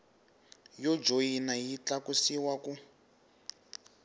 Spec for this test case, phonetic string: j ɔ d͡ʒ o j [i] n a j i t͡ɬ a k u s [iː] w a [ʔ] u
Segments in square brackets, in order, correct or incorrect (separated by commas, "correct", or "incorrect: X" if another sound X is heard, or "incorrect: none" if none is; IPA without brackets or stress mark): correct, incorrect: i, incorrect: k